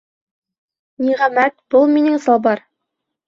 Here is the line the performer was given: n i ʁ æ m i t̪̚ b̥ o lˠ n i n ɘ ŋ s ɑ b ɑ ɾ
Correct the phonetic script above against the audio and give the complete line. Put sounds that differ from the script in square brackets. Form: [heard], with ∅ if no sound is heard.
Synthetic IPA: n i ʁ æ m [æ] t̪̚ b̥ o lˠ [m] i n ɘ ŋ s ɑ b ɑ ɾ